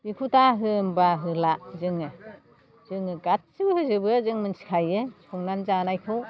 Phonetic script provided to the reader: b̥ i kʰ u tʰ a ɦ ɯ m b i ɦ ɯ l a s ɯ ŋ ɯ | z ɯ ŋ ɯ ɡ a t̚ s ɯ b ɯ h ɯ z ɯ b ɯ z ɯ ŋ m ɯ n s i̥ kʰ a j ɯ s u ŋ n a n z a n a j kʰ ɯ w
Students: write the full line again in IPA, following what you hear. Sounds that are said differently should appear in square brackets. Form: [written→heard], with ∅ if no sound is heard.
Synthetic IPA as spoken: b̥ i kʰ u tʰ a ɦ ɯ m b [i→a] ɦ ɯ l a [s→z] ɯ ŋ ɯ | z ɯ ŋ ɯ ɡ a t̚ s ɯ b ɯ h ɯ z ɯ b ɯ z ɯ ŋ m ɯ n s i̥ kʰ a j ɯ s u ŋ n a n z a n a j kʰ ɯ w